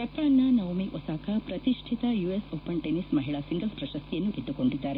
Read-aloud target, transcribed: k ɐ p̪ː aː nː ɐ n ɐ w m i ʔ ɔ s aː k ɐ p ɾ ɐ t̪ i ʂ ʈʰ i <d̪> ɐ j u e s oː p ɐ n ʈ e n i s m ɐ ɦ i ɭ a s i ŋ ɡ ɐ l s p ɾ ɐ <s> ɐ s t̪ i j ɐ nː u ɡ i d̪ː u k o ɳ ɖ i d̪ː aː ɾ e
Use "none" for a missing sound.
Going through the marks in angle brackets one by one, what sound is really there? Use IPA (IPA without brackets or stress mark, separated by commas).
t̪, ʃ